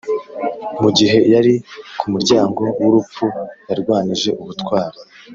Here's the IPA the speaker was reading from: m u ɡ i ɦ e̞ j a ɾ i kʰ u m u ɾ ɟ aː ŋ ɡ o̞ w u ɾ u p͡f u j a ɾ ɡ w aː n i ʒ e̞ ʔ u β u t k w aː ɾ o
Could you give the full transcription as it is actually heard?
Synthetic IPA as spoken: m u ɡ i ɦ e̞ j a ɾ i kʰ u m u ɾ ɟ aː ŋ ɡ o̞ w u ɾ u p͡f u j a ɾ ɡ w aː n i ʒ e̞ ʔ u β u t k w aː ɾ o